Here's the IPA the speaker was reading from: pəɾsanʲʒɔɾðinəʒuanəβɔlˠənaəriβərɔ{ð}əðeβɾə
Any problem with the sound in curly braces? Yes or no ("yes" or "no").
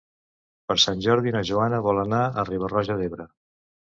yes